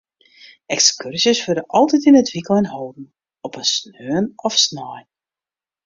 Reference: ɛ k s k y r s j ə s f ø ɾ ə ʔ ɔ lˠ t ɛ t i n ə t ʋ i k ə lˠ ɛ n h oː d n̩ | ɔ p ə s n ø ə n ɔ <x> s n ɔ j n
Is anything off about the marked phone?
yes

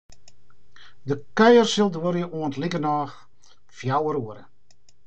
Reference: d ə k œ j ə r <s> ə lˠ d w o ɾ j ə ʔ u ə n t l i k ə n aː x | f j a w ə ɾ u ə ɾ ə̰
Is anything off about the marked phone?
no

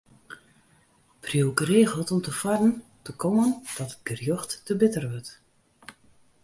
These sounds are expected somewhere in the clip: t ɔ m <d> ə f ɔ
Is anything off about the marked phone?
yes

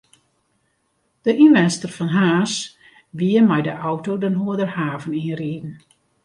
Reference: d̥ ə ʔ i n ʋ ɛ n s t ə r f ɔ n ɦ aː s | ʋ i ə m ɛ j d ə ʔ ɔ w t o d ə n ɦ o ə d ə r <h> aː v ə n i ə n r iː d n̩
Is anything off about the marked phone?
no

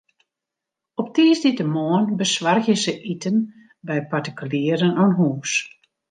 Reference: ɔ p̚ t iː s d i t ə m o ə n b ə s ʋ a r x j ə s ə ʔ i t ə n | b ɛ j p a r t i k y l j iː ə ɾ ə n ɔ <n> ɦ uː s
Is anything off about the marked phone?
no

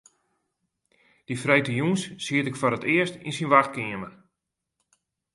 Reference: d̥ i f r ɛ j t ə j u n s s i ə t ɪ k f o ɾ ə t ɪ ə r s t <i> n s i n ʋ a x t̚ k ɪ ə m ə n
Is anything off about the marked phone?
no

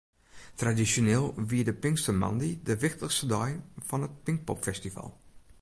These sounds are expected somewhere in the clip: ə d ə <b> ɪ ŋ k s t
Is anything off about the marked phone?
yes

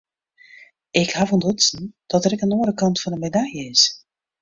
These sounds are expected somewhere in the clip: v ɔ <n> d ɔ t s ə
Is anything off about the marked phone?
no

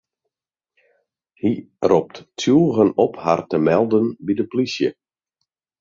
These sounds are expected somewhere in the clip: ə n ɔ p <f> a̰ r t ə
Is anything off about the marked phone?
yes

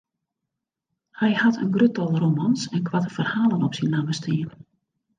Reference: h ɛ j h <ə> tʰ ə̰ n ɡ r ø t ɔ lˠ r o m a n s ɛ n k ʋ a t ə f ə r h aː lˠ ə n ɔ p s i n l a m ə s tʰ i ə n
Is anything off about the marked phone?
yes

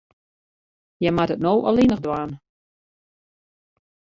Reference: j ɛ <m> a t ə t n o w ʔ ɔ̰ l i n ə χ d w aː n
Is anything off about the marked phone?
no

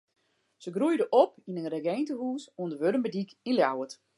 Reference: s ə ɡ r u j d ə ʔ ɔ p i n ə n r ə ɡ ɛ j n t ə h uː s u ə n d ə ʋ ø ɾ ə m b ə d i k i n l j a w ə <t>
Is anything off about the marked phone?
no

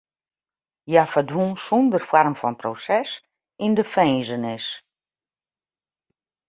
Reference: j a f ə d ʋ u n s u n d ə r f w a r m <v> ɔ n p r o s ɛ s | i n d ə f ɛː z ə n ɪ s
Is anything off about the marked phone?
yes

